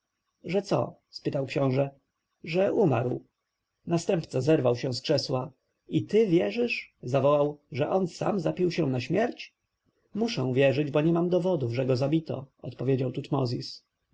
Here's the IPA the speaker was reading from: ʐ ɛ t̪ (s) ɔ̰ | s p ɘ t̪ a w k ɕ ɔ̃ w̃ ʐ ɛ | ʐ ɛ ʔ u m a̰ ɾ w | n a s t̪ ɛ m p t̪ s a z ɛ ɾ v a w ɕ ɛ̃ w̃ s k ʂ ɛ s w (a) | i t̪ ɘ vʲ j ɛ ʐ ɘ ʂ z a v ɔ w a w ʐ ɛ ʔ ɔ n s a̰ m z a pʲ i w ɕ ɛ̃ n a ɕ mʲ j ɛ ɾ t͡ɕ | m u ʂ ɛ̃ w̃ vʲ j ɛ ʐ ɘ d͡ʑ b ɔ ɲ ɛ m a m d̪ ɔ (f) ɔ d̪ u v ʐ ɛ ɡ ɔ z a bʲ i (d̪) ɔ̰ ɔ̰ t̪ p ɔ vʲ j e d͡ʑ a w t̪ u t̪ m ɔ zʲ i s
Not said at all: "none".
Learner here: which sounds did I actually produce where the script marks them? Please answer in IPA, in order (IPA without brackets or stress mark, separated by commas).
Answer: s, a, v, t̪